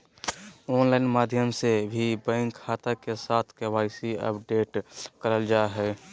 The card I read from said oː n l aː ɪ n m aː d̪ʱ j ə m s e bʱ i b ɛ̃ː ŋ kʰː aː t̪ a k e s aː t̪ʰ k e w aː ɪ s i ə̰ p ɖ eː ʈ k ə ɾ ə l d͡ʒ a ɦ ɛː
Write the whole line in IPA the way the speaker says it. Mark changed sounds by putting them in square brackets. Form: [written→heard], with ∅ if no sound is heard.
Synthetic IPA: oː n l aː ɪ n m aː d̪ʱ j ə m s e bʱ i b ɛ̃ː ŋ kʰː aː t̪ a k e s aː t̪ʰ k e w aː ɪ s i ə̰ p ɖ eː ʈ k ə ɾ ə l d͡ʒ a ɦ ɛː